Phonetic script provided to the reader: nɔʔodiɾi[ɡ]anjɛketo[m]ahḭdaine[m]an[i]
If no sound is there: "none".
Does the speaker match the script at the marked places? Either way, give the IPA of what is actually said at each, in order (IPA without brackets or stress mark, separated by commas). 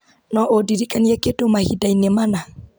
k, m, m, a